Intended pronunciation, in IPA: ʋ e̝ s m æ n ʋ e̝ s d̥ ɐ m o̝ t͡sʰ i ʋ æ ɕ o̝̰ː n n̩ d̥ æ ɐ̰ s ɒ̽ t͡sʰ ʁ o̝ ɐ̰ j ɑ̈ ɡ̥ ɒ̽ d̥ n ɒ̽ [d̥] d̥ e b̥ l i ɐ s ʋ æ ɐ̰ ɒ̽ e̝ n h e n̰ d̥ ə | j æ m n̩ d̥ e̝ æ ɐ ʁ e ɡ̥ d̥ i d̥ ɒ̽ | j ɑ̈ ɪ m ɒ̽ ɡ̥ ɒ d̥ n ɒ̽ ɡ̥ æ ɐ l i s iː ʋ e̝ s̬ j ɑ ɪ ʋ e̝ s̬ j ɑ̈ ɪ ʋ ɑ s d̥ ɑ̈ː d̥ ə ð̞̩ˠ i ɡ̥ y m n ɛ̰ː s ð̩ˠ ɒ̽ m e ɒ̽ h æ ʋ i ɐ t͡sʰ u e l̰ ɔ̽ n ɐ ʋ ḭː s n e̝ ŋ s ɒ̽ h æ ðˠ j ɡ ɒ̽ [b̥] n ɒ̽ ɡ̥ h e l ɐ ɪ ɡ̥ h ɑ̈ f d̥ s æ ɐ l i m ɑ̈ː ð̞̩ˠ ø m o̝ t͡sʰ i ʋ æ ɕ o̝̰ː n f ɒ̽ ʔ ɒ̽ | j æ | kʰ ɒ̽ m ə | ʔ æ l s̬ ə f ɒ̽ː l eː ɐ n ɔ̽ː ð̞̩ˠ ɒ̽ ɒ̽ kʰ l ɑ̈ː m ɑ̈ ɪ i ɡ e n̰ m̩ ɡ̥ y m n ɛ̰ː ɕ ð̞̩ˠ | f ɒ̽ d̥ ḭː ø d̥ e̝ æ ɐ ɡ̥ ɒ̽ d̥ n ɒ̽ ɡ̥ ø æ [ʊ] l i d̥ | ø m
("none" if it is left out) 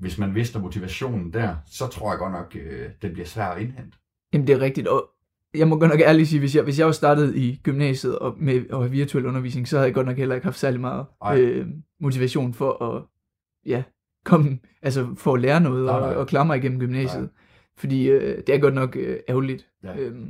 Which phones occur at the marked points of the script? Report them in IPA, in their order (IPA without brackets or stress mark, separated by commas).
ɡ̥, d̥, ʊ